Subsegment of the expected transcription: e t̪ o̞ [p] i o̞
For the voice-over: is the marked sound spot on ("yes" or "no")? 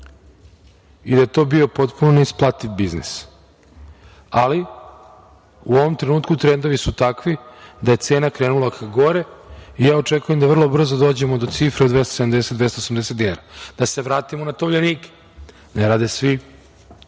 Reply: no